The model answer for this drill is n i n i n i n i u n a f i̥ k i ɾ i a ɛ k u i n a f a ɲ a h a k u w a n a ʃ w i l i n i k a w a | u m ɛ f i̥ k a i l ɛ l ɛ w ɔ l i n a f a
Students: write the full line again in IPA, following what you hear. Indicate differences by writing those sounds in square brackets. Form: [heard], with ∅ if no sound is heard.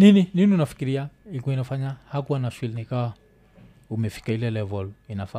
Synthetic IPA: n i n i n i n i u n a f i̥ k i ɾ i a [i] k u i n a f a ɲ a h a k u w a n a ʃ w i l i n i k a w a | u m ɛ f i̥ k a i l ɛ l ɛ [v] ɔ l i n a f a